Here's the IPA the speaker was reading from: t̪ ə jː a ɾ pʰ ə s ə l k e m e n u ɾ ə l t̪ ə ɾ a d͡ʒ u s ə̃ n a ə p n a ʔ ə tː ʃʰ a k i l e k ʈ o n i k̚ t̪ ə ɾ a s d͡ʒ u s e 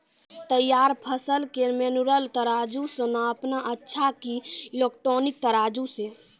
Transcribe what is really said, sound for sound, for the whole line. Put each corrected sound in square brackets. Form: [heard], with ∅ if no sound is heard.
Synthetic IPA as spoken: t̪ ə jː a ɾ pʰ ə s ə l k e m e n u ɾ ə l t̪ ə ɾ a d͡ʒ u s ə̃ n a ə p n a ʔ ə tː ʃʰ a k i l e k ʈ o n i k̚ t̪ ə ɾ a [∅] d͡ʒ u s e